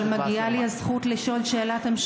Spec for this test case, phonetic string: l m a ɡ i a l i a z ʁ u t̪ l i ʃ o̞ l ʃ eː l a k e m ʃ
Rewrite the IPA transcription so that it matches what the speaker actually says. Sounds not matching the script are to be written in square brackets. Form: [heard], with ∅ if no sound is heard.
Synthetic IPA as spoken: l m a ɡ i a l i a z [χ] u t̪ l i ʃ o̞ l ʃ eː l a [t] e m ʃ